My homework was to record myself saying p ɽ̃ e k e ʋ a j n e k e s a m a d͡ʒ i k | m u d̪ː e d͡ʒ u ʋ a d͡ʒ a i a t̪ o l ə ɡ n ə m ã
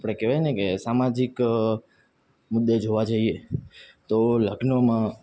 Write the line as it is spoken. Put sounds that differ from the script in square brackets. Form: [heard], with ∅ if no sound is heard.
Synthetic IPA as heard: p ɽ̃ e k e ʋ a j n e k e s a m a d͡ʒ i k | m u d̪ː e d͡ʒ [o] ʋ a d͡ʒ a i [e] t̪ o l ə ɡ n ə m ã